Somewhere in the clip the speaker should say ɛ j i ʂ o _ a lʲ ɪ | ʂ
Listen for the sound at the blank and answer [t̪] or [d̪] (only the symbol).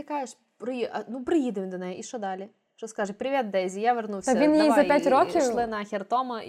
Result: d̪